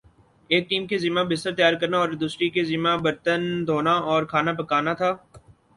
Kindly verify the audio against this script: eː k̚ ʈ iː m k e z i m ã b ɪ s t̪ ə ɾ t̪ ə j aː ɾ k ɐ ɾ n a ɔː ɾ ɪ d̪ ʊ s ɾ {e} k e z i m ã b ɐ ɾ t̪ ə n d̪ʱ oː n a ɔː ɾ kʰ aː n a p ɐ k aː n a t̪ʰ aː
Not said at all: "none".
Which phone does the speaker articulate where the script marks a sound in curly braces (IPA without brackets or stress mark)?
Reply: i